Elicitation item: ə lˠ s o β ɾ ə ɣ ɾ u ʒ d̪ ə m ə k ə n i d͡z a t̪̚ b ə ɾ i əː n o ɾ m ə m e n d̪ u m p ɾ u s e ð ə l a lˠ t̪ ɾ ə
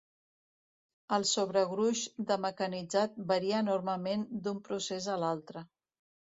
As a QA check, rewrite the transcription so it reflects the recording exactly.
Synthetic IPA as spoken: ə lˠ s o β ɾ ə ɣ ɾ u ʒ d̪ ə m ə k ə n i d͡z a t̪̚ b ə ɾ i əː n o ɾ m ə m e n d̪ u m p ɾ u s e z ə l a lˠ t̪ ɾ ə